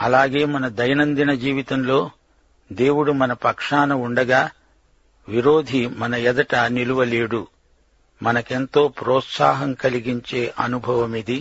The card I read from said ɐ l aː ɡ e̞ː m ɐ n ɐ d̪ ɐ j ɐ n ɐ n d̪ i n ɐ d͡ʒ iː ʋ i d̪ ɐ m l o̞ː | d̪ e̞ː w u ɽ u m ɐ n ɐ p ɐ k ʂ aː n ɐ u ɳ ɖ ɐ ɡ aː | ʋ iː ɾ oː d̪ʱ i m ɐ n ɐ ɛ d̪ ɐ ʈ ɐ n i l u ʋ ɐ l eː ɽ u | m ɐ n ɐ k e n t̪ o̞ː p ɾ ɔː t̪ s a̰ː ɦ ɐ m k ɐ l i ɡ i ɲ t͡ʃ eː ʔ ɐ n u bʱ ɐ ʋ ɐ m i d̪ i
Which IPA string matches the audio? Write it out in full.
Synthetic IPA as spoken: ɐ l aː ɡ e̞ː m ɐ n ɐ d̪ ɐ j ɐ n ɐ n d̪ i n ɐ d͡ʒ iː ʋ i t̪ ɐ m l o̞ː | d̪ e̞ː w u ɽ u m ɐ n ɐ p ɐ k ʂ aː n ɐ u ɳ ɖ ɐ ɡ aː | ʋ i ɾ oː d̪ʱ i m ɐ n ɐ ɛ d̪ ɐ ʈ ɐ n i l u ʋ ɐ l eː ɽ u | m ɐ n ɐ k e n t̪ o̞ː p ɾ ɔː t̪ s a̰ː ɦ ɐ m k ɐ l i ɡ i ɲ t͡ʃ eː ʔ ɐ n u bʱ ɐ ʋ ɐ m i d̪ i